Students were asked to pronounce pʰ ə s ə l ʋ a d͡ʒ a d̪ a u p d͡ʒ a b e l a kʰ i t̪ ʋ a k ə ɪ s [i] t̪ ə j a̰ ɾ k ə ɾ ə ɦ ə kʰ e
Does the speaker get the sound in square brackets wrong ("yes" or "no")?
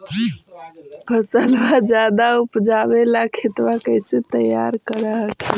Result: yes